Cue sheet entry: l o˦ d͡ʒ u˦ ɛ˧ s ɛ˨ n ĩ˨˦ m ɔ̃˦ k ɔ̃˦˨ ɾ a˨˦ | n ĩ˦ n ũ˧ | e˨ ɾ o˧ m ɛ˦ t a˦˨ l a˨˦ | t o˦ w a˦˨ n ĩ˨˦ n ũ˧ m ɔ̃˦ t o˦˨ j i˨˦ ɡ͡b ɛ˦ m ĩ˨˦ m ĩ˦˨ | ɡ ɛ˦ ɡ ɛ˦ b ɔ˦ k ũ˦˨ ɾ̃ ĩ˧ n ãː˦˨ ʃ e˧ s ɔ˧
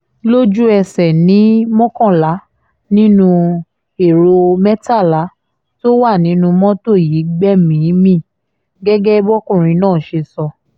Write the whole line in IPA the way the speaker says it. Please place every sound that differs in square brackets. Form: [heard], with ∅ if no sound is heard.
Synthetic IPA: l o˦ d͡ʒ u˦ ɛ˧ s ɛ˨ n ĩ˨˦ m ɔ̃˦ k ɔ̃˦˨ [l] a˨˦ | n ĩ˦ n ũ˧ | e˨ ɾ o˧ m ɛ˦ t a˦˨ l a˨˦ | t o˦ w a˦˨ n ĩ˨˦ n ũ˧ m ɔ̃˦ t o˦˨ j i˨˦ ɡ͡b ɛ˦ m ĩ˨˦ m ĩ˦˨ | ɡ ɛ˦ ɡ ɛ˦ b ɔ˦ k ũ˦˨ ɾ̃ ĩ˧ n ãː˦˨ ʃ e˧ s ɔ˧